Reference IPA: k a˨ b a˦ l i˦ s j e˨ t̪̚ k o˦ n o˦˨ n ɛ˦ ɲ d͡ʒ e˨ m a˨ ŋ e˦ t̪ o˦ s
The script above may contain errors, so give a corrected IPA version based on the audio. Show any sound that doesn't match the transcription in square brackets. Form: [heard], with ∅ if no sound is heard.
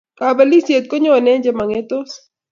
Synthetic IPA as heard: k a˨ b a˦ l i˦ s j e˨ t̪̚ k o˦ [ɲ] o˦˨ n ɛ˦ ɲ d͡ʒ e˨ m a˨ ŋ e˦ t̪ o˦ s